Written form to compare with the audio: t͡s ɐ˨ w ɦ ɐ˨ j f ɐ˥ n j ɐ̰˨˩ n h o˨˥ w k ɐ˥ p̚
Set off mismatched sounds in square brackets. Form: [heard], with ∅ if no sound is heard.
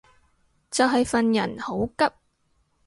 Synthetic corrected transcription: t͡s ɐ˨ w ɦ ɐ˨ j f [ɐ˨] n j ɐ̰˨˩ n h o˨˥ w k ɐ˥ p̚